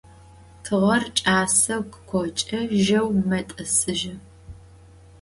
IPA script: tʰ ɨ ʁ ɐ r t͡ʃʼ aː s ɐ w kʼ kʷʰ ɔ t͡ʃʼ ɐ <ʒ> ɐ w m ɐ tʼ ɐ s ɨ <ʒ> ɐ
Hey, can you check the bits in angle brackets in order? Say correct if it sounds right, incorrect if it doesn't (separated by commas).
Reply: correct, correct